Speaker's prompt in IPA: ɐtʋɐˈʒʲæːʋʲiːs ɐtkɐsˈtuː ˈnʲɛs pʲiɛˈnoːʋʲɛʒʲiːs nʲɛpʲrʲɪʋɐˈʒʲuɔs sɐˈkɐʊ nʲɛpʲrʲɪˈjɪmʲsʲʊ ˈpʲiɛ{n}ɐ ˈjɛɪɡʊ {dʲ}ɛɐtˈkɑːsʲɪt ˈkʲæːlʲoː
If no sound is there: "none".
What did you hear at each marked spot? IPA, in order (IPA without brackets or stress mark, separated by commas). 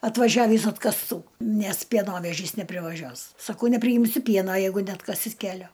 n, nʲ